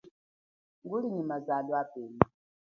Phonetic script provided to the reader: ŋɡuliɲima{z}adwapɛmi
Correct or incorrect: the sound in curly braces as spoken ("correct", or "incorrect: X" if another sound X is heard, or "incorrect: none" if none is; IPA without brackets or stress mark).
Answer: correct